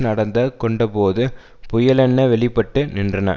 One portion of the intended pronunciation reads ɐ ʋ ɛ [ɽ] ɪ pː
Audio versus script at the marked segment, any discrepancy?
yes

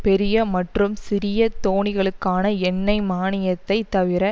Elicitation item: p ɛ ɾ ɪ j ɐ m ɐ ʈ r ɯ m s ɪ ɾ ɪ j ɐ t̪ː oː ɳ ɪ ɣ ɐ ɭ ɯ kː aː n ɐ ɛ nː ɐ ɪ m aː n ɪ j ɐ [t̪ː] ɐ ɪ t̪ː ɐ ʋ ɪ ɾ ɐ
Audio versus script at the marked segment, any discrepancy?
no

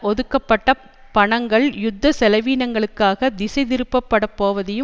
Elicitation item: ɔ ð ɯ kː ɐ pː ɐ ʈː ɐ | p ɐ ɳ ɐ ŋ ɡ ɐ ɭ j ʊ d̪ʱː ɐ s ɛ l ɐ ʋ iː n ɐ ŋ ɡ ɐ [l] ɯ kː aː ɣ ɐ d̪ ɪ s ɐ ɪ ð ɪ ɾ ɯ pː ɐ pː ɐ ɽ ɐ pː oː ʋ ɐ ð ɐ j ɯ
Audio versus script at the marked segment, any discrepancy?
yes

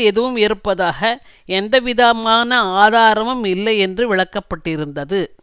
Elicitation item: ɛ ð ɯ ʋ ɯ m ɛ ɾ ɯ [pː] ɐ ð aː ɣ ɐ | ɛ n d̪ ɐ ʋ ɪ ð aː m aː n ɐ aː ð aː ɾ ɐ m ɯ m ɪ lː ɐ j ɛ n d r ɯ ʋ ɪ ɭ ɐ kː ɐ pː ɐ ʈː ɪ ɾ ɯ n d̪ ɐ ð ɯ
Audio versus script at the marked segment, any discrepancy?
no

